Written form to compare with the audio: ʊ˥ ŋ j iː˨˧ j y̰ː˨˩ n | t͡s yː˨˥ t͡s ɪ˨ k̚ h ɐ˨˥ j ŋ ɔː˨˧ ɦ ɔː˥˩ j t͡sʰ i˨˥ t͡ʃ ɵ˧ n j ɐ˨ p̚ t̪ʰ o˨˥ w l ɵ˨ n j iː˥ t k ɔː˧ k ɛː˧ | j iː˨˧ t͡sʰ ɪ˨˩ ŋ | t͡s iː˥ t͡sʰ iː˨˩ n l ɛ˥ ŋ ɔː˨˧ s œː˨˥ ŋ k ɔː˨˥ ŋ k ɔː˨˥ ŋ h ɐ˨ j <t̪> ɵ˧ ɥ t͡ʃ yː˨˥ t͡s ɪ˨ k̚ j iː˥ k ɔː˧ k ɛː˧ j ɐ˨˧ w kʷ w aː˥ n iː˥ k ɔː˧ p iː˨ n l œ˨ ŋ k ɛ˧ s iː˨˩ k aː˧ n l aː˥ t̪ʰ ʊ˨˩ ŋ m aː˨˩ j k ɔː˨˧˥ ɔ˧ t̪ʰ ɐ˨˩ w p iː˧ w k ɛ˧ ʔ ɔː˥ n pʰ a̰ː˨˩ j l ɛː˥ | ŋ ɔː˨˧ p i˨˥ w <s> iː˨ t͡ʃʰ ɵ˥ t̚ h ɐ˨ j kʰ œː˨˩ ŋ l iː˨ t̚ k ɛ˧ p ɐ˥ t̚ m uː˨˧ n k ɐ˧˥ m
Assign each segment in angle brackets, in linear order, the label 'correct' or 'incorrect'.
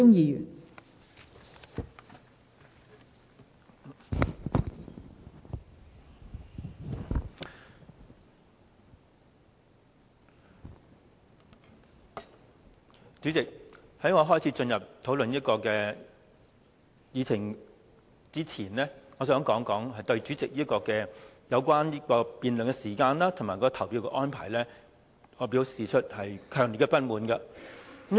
correct, correct

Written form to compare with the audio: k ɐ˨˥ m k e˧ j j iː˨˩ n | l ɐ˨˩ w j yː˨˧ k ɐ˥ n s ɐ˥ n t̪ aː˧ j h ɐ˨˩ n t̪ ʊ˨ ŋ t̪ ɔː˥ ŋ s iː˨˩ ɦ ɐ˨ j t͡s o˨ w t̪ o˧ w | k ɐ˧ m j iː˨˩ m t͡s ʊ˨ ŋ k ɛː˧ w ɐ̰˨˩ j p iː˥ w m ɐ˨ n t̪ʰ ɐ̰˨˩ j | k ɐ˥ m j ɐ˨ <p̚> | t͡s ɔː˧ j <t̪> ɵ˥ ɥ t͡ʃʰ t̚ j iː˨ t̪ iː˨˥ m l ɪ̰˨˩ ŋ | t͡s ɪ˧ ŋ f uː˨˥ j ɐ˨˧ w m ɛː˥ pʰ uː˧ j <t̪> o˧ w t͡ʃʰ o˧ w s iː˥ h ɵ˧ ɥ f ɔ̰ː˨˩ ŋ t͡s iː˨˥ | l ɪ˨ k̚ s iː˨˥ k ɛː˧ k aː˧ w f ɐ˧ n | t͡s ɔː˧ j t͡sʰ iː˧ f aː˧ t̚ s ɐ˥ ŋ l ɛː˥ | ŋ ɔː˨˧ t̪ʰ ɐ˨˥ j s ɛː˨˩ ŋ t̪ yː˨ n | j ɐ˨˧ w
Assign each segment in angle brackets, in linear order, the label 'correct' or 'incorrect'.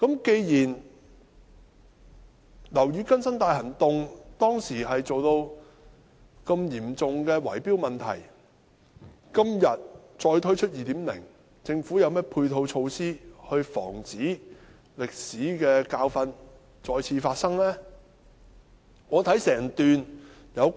incorrect, incorrect, incorrect

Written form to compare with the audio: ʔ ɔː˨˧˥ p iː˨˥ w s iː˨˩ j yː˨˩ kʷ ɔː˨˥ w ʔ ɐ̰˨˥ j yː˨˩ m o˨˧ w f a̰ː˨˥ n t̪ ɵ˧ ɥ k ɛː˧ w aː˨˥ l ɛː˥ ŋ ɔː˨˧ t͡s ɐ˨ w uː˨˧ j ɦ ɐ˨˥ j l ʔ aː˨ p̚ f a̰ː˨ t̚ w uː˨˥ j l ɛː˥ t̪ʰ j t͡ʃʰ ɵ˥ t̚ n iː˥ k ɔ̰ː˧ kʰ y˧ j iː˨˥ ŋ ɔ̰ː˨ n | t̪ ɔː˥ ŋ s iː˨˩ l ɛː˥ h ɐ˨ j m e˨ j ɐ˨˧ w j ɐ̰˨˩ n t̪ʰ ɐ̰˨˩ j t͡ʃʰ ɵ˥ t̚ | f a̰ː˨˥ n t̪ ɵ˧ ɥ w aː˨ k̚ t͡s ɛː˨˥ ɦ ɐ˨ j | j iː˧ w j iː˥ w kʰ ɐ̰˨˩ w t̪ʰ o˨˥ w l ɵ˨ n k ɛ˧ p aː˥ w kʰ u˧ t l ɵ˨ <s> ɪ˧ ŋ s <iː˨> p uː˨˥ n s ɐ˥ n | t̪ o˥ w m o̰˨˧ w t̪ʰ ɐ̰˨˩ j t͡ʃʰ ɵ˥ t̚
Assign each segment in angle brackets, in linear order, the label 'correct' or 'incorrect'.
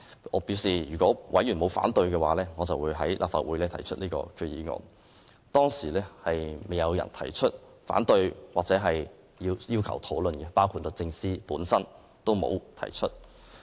incorrect, incorrect

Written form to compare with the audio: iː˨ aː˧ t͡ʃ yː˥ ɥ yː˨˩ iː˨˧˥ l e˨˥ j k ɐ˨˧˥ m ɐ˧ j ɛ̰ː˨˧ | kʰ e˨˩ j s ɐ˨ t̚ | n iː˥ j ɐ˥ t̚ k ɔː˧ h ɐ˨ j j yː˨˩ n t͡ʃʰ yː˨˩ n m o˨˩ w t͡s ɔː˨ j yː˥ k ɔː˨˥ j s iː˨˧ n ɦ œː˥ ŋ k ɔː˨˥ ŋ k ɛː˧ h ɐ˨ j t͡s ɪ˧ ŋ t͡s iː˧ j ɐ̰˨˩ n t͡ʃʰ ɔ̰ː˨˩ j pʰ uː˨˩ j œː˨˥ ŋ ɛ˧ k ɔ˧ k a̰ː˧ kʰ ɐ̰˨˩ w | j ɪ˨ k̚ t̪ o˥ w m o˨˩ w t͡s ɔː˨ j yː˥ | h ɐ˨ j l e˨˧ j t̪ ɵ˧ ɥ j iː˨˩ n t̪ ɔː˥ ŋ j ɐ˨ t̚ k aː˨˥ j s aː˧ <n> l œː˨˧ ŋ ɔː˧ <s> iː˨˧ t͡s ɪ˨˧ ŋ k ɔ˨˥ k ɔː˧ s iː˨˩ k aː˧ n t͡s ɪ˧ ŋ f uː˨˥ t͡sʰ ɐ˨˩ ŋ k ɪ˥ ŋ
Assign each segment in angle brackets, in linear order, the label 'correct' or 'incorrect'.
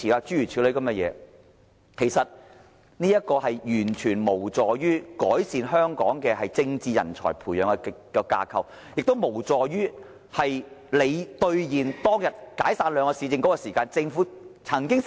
correct, correct

